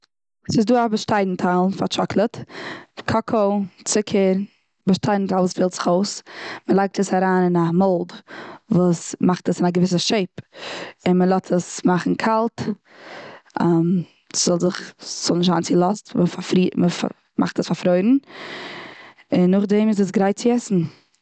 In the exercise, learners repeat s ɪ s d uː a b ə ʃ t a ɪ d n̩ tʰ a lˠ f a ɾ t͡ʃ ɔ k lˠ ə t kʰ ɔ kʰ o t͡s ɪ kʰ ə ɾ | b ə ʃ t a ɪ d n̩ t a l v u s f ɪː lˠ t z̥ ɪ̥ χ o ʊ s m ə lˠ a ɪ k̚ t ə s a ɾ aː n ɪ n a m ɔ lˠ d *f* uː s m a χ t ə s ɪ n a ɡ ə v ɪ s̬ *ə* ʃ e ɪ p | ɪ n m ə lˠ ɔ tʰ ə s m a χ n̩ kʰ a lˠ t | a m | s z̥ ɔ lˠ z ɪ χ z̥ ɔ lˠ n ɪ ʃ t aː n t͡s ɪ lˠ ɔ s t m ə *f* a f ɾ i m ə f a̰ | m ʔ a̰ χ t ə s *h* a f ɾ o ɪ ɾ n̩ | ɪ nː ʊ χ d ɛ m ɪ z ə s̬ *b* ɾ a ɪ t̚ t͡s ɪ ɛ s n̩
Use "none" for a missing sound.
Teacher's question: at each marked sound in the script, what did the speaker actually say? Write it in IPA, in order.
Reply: v, ə, f, f, ɡ

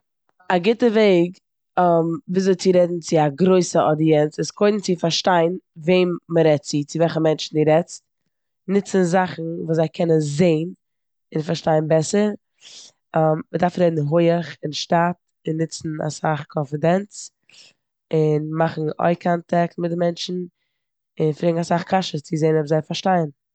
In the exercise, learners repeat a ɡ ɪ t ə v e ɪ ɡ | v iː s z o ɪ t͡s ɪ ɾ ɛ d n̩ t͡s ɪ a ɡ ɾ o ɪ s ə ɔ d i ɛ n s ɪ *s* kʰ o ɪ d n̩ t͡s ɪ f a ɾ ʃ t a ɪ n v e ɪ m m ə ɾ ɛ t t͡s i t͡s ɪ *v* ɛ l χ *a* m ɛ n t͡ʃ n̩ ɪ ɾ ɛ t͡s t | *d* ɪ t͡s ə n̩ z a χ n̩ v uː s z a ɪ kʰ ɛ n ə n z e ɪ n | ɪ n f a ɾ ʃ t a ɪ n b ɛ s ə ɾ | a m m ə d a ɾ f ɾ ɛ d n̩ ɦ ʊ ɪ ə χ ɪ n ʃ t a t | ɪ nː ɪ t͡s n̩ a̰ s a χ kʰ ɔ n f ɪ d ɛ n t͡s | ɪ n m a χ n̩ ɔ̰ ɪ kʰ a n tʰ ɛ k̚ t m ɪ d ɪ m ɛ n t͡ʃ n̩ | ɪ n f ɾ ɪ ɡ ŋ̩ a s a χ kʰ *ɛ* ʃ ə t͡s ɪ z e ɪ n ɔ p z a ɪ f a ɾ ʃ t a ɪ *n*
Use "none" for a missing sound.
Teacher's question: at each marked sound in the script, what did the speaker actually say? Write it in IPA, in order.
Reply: s, v, ə, n, a, n

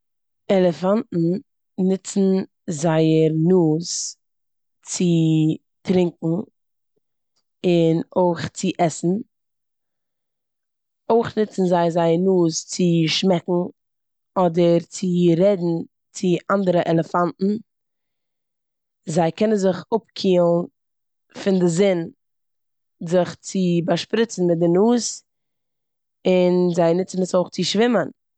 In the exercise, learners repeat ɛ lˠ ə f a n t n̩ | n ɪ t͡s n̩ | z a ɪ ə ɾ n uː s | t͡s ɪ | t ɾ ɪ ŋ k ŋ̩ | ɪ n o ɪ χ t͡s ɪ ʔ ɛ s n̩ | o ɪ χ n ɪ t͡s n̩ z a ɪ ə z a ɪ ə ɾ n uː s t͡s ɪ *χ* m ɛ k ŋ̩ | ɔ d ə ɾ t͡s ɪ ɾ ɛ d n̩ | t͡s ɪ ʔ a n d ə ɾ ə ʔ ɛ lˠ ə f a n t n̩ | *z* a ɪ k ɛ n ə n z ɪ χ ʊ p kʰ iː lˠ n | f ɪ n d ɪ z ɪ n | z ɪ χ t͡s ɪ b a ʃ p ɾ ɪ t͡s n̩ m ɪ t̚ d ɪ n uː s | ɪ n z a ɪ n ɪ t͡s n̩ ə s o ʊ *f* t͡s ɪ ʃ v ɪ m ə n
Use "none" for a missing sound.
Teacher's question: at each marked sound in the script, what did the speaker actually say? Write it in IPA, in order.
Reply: ʃ, z, χ

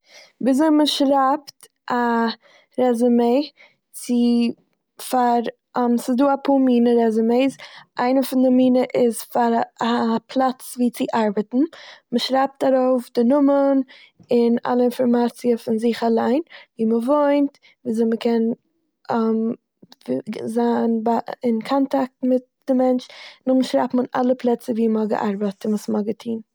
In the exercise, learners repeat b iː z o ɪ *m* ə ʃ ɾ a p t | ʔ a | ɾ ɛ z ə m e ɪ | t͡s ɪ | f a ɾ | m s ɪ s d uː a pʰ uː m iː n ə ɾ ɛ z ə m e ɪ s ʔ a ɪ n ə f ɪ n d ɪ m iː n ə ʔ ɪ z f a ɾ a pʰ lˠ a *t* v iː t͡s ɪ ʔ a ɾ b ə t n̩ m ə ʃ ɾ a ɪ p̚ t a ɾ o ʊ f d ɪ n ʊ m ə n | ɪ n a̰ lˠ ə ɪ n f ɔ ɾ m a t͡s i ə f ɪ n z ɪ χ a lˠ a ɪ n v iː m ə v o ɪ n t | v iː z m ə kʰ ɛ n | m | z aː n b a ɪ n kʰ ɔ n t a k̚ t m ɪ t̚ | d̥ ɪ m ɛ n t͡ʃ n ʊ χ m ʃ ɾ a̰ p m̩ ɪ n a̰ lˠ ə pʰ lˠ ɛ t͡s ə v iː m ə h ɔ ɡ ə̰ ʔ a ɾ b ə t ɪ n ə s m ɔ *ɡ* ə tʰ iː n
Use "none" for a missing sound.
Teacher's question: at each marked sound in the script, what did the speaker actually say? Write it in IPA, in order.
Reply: m, t͡s, ɡ

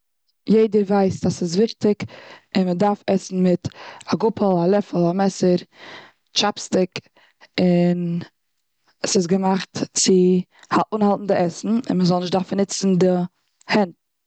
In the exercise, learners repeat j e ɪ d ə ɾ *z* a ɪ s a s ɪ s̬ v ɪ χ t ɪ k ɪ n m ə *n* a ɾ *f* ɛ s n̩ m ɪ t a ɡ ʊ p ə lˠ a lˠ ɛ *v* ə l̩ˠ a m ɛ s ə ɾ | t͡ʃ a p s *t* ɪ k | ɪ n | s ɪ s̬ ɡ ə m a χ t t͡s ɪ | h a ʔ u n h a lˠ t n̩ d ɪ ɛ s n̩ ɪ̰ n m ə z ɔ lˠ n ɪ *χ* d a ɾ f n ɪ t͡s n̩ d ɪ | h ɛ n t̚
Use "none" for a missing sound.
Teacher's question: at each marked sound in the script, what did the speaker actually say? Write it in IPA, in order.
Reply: v, d, f, f, t, ʃ

